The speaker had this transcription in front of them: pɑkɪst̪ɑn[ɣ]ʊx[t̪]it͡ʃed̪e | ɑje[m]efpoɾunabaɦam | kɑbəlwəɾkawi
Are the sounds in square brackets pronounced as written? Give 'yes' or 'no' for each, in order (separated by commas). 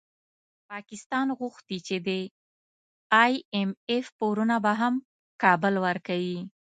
yes, yes, yes